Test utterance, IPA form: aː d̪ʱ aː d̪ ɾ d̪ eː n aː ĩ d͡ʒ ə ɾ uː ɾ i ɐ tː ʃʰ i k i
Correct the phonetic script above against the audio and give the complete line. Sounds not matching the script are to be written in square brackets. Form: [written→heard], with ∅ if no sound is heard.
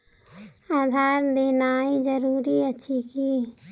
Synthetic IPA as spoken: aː d̪ʱ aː [d̪→∅] ɾ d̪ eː n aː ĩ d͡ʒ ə ɾ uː ɾ i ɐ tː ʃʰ i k i